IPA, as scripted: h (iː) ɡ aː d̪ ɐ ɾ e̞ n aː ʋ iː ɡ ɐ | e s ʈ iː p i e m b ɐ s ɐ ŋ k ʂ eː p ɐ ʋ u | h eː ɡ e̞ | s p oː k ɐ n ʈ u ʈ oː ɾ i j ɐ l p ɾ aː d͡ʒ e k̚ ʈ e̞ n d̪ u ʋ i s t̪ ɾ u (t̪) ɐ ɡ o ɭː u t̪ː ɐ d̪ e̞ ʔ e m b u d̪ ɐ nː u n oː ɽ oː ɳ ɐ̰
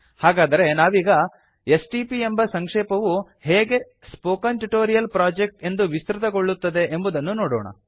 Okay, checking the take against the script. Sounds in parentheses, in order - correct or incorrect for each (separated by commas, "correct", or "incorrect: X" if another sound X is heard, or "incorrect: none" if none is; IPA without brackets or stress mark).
incorrect: aː, correct